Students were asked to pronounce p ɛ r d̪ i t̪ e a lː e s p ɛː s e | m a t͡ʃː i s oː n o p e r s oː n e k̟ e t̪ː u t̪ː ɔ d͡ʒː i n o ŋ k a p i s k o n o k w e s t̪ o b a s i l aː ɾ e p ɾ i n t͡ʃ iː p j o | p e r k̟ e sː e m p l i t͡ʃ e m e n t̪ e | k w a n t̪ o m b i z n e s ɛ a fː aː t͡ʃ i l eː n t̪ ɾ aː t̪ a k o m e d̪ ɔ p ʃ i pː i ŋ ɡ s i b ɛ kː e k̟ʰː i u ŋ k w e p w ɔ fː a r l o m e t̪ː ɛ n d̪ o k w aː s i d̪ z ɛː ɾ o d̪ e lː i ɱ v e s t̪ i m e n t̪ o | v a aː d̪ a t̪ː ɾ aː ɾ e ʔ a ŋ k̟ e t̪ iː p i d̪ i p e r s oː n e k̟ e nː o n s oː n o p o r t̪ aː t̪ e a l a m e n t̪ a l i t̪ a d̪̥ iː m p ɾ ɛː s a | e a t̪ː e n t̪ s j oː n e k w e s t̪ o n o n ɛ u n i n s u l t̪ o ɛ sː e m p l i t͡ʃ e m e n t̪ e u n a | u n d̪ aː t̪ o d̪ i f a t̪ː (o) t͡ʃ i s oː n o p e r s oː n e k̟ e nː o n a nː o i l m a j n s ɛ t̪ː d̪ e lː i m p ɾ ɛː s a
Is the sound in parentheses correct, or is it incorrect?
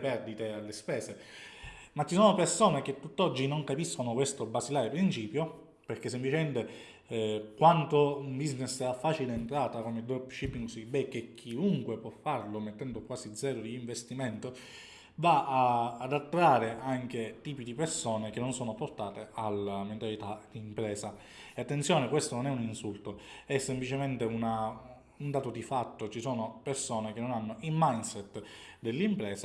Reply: correct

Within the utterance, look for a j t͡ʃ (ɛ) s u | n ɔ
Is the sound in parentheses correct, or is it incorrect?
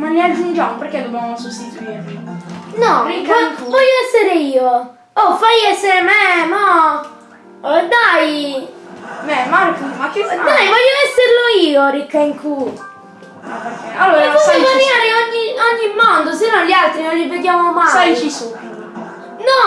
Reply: incorrect: i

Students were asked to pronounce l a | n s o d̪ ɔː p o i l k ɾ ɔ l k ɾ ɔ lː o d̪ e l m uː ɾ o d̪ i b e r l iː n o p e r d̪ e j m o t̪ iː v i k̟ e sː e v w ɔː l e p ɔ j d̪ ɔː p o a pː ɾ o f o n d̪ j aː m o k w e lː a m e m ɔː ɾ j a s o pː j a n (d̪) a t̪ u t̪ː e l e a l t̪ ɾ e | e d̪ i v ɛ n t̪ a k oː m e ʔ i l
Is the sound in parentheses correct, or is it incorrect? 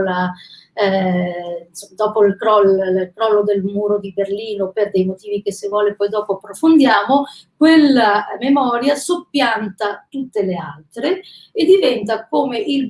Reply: incorrect: t̪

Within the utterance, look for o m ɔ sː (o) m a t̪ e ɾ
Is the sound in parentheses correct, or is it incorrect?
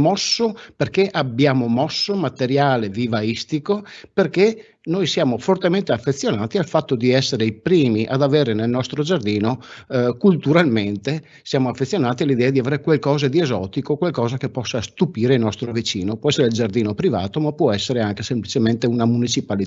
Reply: correct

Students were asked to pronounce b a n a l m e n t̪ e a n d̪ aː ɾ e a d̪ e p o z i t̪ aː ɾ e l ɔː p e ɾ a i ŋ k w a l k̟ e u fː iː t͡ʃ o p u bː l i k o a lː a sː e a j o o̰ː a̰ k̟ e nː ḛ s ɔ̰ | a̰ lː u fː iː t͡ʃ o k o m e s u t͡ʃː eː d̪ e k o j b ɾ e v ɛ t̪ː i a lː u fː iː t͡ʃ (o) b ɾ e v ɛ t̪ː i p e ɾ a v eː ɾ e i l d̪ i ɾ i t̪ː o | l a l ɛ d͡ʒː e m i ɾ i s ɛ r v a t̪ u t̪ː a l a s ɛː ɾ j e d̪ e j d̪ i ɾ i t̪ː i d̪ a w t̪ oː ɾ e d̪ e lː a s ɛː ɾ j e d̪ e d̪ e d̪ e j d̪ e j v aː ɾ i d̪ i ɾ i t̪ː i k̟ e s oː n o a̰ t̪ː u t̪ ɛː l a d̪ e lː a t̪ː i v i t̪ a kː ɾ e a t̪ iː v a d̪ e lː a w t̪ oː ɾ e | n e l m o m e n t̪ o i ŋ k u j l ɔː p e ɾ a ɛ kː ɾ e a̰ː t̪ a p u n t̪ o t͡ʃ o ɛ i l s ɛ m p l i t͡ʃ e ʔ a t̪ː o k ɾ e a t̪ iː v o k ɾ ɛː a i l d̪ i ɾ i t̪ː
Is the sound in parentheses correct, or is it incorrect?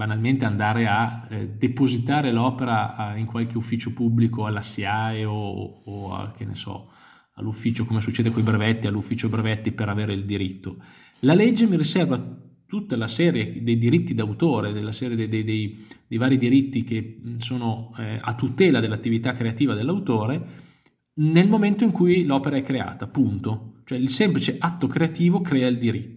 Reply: correct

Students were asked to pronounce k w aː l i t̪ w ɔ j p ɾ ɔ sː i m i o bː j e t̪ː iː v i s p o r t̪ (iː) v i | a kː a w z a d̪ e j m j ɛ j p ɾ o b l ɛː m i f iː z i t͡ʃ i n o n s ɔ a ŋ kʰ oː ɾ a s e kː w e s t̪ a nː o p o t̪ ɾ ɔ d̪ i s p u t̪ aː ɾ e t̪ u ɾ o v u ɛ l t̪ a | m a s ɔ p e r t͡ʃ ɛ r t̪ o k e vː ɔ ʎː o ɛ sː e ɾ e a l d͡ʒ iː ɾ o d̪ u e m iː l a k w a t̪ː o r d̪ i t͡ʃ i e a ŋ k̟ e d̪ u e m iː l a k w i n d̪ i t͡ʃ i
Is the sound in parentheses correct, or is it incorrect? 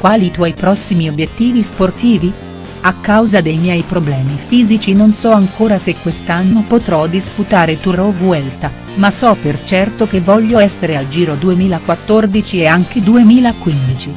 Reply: correct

